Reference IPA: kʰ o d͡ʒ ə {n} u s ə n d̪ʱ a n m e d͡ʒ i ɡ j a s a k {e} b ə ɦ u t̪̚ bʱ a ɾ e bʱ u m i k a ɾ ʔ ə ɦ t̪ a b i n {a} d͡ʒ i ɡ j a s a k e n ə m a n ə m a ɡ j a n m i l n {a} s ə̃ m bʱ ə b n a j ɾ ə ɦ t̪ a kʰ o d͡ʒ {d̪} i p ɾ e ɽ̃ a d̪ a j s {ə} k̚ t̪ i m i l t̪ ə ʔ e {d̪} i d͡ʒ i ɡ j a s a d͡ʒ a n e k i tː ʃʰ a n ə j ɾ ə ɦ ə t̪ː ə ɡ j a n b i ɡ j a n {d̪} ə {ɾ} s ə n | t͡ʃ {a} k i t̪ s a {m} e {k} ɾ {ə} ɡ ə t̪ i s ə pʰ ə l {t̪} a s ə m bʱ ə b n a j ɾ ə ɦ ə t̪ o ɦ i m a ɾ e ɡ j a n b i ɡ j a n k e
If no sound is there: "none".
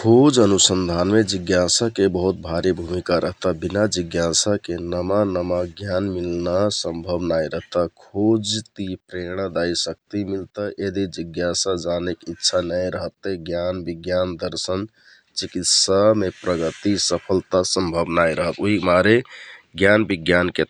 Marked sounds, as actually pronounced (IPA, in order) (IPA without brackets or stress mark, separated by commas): n, e, a, a, t̪, ə, d̪, d̪, ɾ, i, m, p, ə, t̪